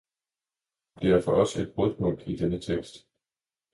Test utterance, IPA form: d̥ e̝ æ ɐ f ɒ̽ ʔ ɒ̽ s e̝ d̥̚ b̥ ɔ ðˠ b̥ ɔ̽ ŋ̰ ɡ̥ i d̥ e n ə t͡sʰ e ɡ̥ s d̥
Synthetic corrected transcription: d̥ e̝ æ ɐ f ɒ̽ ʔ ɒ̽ s e̝ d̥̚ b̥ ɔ ðˠ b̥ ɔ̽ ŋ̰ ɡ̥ i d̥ e n ə t͡sʰ e ɡ̥ s d̥

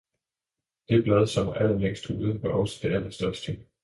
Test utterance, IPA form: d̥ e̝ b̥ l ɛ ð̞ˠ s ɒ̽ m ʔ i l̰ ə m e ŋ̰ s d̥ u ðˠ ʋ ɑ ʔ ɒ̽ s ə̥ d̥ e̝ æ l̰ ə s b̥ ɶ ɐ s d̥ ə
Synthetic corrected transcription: d̥ e̝ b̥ l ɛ ð̞ˠ s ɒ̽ m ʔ æ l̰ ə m e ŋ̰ s d̥ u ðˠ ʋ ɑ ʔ ɒ̽ s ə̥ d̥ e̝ æ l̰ ɐ s d̥ ɶ ɐ s d̥ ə

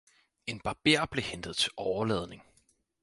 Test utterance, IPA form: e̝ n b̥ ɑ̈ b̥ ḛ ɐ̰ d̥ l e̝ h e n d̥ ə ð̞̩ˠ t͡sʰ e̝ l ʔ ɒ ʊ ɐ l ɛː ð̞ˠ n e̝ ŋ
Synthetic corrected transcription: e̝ n b̥ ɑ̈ b̥ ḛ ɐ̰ b̥ l e̝ h e n d̥ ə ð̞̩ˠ t͡sʰ e̝ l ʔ ɒ ʊ ɐ l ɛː ð̞ˠ n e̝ ŋ

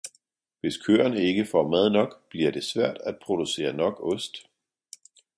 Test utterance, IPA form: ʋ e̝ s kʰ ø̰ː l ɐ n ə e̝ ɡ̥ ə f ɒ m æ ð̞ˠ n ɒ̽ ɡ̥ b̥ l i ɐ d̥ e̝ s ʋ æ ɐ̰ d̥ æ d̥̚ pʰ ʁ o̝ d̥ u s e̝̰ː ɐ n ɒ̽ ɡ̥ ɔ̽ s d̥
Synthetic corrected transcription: ʋ e̝ s kʰ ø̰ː ɐ n ə e̝ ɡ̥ ə f ɒ m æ ð̞ˠ n ɒ̽ ɡ̥ b̥ l i ɐ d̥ e̝ s ʋ æ ɐ̰ d̥ æ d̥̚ pʰ ʁ o̝ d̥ u s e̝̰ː ɐ n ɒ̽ ɡ̥ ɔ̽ s d̥

